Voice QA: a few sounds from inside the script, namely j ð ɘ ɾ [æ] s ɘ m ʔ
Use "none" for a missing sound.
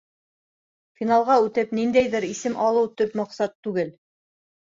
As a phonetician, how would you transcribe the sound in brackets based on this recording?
i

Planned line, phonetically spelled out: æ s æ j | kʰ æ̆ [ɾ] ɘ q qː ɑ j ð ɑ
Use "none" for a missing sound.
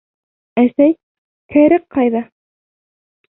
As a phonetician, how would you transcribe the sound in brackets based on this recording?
ɾ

